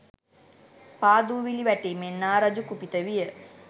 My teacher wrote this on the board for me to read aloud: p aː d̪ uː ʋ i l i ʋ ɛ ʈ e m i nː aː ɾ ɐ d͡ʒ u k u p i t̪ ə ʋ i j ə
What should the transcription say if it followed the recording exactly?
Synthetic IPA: p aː d̪ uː ʋ i l i ʋ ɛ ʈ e m e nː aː ɾ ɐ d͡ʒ u k u p i t̪ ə ʋ i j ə